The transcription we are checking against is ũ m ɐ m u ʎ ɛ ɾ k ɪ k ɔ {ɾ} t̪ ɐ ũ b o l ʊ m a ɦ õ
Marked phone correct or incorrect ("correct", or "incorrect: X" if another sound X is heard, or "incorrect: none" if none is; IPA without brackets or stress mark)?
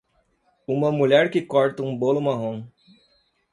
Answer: correct